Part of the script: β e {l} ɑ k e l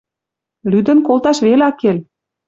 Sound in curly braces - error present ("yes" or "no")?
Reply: no